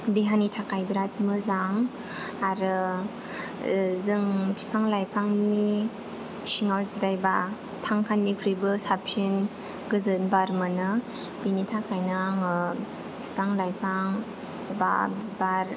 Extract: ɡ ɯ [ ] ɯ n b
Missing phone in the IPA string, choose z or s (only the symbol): z